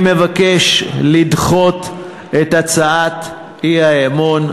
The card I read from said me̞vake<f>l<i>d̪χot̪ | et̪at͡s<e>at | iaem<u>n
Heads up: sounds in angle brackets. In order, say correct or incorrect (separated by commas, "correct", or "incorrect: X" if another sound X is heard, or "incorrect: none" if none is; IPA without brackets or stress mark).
incorrect: ʃ, correct, incorrect: a, incorrect: o